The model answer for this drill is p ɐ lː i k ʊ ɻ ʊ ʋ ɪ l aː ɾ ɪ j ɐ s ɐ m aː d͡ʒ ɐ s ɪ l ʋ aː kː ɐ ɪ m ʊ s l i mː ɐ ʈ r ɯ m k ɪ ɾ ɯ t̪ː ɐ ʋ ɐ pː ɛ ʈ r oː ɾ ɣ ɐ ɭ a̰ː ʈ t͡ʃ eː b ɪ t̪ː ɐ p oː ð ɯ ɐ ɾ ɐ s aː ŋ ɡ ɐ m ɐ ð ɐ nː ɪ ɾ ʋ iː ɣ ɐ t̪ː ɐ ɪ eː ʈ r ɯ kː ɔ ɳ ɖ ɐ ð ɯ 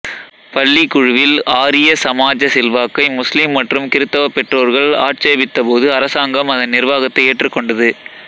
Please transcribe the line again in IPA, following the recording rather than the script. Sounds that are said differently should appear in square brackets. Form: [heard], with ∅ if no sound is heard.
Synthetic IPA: p ɐ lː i k ʊ ɻ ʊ ʋ ɪ l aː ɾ ɪ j ɐ s ɐ m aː d͡ʒ ɐ s ɪ l ʋ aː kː ɐ ɪ m ʊ s l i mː ɐ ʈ r ɯ m k ɪ ɾ ɯ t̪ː ɐ ʋ ɐ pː ɛ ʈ r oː ɾ ɣ ɐ ɭ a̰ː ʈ t͡ʃ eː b ɪ t̪ː ɐ p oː ð ɯ ɐ ɾ ɐ s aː ŋ ɡ ɐ m ɐ ð ɐ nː ɪ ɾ ʋ [aː] ɣ ɐ t̪ː ɐ ɪ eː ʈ r ɯ kː ɔ ɳ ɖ ɐ ð ɯ